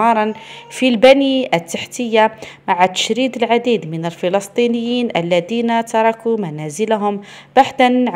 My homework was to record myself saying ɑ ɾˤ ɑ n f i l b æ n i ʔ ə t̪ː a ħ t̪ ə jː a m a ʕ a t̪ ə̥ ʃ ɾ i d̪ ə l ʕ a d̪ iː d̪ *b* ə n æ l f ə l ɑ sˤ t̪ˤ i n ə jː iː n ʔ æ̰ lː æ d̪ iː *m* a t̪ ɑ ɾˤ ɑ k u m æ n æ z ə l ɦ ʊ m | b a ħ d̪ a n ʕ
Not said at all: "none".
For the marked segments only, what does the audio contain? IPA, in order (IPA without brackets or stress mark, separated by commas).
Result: m, n